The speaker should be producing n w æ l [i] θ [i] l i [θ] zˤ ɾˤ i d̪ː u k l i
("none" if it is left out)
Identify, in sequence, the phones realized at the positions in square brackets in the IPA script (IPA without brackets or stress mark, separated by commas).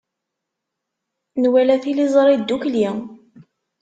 æ, i, none